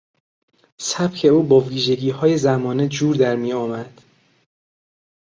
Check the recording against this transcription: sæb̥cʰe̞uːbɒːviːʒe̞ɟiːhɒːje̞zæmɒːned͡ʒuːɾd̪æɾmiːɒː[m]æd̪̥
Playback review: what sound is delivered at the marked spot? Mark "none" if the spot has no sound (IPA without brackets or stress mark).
m